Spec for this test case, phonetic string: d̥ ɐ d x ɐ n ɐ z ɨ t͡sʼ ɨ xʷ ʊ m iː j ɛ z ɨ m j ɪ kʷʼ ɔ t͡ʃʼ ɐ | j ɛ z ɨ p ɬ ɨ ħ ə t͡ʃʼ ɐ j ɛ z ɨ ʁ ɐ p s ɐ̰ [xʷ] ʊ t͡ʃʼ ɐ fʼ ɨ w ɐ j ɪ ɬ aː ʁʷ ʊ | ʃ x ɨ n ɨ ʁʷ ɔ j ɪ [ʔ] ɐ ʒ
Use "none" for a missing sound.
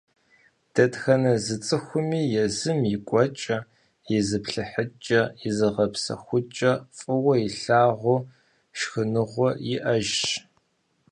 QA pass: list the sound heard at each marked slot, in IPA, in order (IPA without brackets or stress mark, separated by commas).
xʷ, ʔ